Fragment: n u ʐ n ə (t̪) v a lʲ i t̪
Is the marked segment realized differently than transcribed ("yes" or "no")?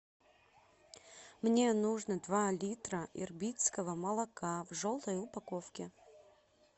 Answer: yes